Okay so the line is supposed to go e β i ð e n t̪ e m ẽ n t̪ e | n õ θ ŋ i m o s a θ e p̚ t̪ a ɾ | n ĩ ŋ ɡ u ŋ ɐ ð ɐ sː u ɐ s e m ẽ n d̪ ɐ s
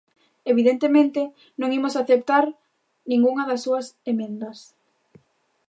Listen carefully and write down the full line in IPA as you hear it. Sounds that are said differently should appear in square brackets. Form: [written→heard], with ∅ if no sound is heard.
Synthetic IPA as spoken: e β i ð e n t̪ e m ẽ n t̪ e | n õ [θ→∅] ŋ i m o s a θ e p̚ t̪ a ɾ | n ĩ ŋ ɡ u ŋ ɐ ð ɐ sː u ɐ s e m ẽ n d̪ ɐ s